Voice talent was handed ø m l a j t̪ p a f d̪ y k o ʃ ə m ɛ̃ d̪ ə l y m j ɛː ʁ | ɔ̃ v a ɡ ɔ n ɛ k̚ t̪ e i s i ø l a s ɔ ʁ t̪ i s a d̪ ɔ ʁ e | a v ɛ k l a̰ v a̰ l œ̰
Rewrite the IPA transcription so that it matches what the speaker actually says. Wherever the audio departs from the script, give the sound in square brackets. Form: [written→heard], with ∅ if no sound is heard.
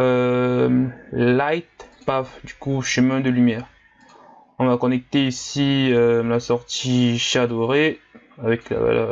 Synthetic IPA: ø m l a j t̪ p a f d̪ y k [o→u] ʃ ə m ɛ̃ d̪ ə l y m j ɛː ʁ | ɔ̃ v a [ɡ→k] ɔ n ɛ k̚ t̪ e i s i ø l a s ɔ ʁ t̪ i [s→ʃ] a d̪ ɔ ʁ e | a v ɛ k l a̰ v a̰ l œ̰